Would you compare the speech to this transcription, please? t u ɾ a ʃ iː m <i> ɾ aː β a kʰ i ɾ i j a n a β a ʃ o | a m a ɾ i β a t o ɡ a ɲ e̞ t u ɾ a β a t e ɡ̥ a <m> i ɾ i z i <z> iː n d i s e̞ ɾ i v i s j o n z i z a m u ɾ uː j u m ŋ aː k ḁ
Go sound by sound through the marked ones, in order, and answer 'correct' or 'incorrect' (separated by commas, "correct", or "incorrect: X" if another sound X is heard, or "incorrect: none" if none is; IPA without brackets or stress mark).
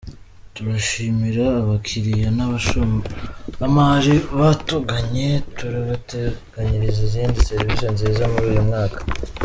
correct, incorrect: ɲ, correct